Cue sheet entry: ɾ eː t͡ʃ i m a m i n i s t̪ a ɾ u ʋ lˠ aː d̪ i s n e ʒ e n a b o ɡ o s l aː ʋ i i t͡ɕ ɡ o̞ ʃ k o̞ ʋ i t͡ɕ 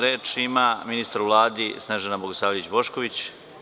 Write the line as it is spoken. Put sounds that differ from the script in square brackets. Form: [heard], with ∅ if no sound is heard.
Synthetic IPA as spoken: ɾ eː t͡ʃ i m a m i n i s t̪ a ɾ u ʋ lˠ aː d̪ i s n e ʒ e n a b o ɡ o s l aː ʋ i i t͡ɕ [b] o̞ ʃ k o̞ ʋ i t͡ɕ